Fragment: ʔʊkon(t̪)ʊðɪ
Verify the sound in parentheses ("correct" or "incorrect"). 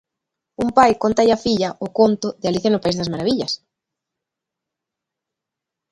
correct